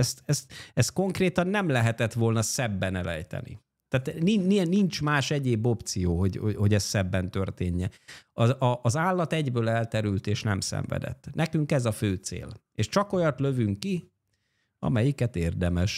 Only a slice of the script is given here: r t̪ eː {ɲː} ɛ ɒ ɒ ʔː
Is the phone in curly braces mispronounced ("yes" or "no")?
no